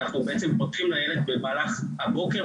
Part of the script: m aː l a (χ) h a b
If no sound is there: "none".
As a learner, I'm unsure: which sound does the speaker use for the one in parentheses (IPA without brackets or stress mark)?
χ